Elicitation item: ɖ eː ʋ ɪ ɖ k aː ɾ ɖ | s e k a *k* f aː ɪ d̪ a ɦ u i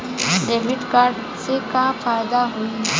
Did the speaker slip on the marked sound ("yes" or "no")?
yes